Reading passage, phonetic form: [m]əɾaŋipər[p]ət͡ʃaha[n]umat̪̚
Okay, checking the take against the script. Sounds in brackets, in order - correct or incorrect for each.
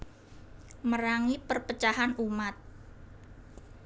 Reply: correct, correct, correct

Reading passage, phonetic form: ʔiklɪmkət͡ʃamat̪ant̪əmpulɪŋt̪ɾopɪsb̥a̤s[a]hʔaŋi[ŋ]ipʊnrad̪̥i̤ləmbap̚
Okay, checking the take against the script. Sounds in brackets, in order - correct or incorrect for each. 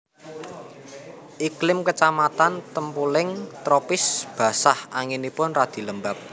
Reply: correct, incorrect

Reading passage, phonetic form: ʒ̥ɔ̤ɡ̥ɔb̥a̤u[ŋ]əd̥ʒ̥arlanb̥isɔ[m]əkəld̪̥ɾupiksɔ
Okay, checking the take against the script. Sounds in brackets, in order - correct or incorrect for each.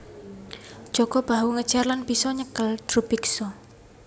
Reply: correct, incorrect

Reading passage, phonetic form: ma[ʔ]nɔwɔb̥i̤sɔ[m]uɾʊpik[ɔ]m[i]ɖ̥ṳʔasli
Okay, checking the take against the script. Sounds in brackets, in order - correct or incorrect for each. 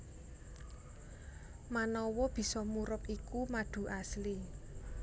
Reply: incorrect, correct, incorrect, incorrect

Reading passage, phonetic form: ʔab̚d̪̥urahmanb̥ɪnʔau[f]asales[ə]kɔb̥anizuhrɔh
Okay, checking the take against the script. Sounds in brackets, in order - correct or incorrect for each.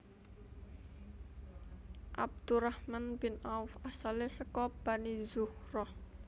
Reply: correct, correct

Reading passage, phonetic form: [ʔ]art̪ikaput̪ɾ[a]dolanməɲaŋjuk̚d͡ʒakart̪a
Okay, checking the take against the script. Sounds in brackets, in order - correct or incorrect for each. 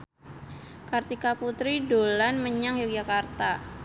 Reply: incorrect, incorrect

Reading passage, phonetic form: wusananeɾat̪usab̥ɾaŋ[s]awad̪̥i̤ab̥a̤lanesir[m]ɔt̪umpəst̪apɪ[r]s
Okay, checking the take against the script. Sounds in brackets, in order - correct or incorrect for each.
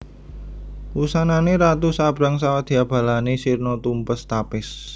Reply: correct, incorrect, incorrect

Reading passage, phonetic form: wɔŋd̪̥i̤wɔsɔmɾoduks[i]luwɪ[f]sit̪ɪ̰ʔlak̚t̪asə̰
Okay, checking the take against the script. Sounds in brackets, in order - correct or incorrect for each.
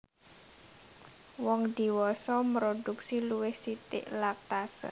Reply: correct, incorrect

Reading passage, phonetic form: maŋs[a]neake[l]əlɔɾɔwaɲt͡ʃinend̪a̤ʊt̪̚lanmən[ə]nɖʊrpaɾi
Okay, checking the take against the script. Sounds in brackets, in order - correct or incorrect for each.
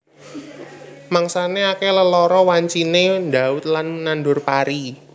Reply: correct, correct, incorrect

